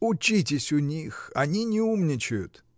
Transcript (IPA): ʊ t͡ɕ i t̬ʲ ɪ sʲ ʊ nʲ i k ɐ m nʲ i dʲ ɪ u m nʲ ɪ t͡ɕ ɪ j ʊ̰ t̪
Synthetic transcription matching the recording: ʊ t͡ɕ i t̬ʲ ɪ sʲ ʊ nʲ i x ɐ nʲ i nʲ ɪ u m nʲ ɪ t͡ɕ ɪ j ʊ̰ t̪

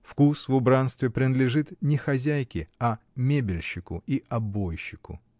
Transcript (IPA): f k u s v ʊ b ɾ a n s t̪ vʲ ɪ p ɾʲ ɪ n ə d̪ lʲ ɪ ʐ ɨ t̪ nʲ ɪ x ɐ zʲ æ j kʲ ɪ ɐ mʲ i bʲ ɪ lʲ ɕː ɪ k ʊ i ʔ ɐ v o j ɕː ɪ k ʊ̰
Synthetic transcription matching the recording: f k u s v ʊ b ɾ a n s t̪ vʲ ɪ p ɾʲ ɪ n ə d̪ lʲ ɪ ʐ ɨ t̪ nʲ ɪ x ɐ zʲ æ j kʲ ɪ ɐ mʲ e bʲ ɪ lʲ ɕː ɪ k ʊ i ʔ ɐ b o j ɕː ɪ k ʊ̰

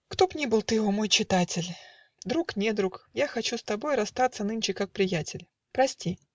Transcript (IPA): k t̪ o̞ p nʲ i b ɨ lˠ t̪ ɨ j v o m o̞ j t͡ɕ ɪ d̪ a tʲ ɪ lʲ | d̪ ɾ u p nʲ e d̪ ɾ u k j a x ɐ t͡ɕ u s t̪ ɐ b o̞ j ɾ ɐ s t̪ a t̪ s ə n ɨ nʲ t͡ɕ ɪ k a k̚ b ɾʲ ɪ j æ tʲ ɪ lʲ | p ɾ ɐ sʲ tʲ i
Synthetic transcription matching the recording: k t̪ o̞ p nʲ i b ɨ lˠ t̪ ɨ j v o m o̞ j t͡ɕ ɪ t̪ a tʲ ɪ lʲ | d̪ ɾ u k nʲ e d̪ ɾ u k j a x ɐ t͡ɕ u s t̪ ɐ b o̞ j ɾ ɐ s t̪ a t̪ s ə n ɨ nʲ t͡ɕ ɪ k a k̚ p ɾʲ ɪ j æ tʲ ɪ lʲ | p ɾ ɐ sʲ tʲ i

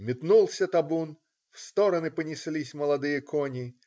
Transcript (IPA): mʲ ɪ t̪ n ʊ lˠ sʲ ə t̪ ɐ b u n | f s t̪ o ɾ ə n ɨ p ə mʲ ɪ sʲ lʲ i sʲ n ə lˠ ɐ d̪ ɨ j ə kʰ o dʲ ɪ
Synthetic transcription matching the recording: mʲ ɪ t̪ n u lˠ sʲ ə t̪ ɐ b u n | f s t̪ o ɾ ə n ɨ p ə nʲ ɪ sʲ lʲ i sʲ m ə lˠ ɐ d̪ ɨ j ə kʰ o nʲ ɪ

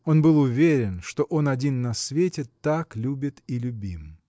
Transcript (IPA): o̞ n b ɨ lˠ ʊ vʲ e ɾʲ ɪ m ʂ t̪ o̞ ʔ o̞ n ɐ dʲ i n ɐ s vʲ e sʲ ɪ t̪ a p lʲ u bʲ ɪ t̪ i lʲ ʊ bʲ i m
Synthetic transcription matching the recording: o̞ n b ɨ lˠ ʊ vʲ e ɾʲ ɪ n ʂ t̪ o̞ ʔ o̞ n ɐ dʲ i nː ɐ s vʲ e tʲ ɪ t̪ a k lʲ u bʲ ɪ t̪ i lʲ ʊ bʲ i m

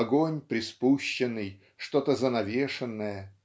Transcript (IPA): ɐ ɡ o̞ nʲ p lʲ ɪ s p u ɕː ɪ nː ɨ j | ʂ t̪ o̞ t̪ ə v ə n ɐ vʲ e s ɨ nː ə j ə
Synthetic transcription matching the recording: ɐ ɡ o̞ nʲ p ɾʲ ɪ s p u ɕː ɪ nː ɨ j | ʂ t̪ o̞ t̪ ə z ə n ɐ vʲ e ʂ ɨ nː ə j ə

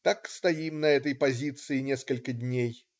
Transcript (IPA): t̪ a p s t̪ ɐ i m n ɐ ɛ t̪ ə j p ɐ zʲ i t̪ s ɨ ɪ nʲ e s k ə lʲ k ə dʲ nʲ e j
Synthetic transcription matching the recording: t̪ a k s t̪ ɐ i m n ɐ ɛ t̪ ə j p ɐ zʲ i t̪ s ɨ ɪ nʲ e s k ə lʲ k ə dʲ nʲ e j

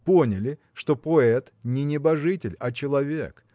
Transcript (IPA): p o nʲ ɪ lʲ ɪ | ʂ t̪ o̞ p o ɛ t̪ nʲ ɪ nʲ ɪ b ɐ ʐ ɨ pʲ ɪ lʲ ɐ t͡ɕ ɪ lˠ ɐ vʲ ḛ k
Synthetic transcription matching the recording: p o nʲ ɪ lʲ ɪ | ʂ t̪ o̞ p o ɛ t̪ nʲ ɪ nʲ ɪ b ɐ ʐ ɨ tʲ ɪ lʲ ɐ t͡ɕ ɪ lˠ ɐ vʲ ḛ k

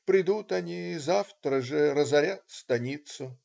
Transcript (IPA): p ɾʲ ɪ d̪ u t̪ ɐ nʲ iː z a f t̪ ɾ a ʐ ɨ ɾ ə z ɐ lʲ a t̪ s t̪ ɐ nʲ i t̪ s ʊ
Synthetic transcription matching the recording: p ɾʲ ɪ d̪ u t̪ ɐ nʲ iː z a f t̪ ɾ ə ʐ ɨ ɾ ə z ɐ ɾʲ a t̪ s t̪ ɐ nʲ i t̪ s ʊ

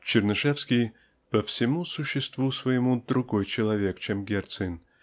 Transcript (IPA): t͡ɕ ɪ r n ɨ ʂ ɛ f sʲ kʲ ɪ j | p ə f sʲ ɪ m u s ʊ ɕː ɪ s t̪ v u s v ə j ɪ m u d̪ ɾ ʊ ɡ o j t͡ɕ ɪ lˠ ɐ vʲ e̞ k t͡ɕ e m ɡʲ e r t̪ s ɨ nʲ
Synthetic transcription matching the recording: t͡ɕ ɪ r n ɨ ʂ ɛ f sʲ kʲ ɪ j | p ə f sʲ ɪ m u s ʊ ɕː ɪ s t̪ v u s v ə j ɪ m u d̪ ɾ ʊ ɡ o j t͡ɕ ɪ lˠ ɐ vʲ e̞ k t͡ɕ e m ɡʲ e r t̪ s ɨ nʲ

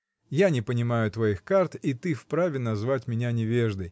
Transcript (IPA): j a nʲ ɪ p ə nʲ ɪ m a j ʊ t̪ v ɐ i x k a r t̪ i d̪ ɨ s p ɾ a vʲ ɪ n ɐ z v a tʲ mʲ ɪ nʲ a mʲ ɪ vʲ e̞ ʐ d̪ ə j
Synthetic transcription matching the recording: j a nʲ ɪ p ə nʲ ɪ m a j ʊ t̪ v ɐ i x k a r t̪ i t̪ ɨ f p ɾ a vʲ ɪ n ɐ z v a tʲ mʲ ɪ nʲ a nʲ ɪ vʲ e̞ ʐ d̪ ə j

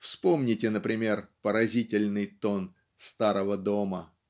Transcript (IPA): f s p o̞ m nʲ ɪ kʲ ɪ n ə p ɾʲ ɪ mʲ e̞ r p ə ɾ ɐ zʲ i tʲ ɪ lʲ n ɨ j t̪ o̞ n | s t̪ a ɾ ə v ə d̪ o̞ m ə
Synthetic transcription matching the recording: f s p o̞ m nʲ ɪ tʲ ɪ n ə p ɾʲ ɪ mʲ e̞ r p ə ɾ ɐ zʲ i tʲ ɪ lʲ n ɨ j t̪ o̞ n | s t̪ a ɾ ə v ə d̪ o̞ m ə

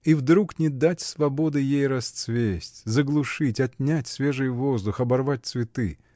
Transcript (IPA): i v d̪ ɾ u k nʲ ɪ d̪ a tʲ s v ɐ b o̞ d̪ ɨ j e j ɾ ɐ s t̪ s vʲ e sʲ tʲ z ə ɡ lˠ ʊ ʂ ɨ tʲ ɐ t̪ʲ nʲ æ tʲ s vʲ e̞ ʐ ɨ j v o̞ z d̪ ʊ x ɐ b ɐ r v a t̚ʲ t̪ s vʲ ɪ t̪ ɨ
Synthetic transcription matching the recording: i v d̪ ɾ u k nʲ ɪ d̪ a tʲ s v ɐ b o̞ d̪ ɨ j e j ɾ ɐ s t̪ s vʲ e sʲ tʲ z ə ɡ lˠ ʊ ʂ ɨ tʲ ɐ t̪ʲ nʲ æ tʲ s vʲ e̞ ʐ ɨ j v o̞ z d̪ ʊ x ɐ b ɐ r v a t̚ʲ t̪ s vʲ ɪ t̪ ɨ

